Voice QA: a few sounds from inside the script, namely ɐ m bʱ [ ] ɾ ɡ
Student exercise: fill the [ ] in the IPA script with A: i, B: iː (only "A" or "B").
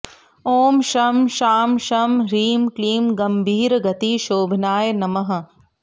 B